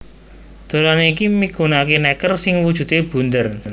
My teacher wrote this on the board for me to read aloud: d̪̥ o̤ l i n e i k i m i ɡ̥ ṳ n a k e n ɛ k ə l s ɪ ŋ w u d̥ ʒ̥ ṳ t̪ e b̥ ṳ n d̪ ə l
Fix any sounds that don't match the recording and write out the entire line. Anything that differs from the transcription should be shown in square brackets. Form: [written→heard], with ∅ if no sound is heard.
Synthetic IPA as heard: d̪̥ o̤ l [i→a] n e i k i m i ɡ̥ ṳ n a k e n ɛ k ə [l→r] s ɪ ŋ w u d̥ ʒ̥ ṳ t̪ e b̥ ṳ n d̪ ə [l→r]